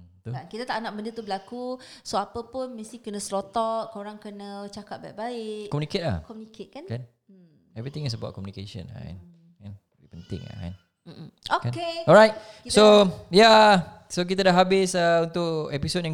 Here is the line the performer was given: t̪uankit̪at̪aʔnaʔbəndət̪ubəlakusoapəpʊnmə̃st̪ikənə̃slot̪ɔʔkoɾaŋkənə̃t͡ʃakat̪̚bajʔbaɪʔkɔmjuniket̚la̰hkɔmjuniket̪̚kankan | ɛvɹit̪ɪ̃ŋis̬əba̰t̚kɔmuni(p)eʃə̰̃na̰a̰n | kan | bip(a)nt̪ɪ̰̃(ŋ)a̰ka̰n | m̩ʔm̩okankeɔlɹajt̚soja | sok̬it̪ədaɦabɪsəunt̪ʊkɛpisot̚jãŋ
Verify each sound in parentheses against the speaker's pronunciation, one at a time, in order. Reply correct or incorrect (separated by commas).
incorrect, incorrect, correct